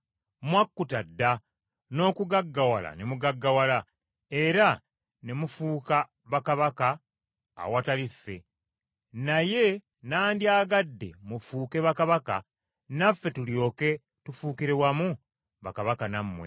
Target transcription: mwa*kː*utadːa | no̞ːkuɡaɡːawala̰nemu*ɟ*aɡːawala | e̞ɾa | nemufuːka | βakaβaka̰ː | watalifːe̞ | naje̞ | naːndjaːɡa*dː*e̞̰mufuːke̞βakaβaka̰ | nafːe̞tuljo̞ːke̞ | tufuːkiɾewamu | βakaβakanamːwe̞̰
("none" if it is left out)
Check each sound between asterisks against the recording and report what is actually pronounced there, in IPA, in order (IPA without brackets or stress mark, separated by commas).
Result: kː, ɡ, dː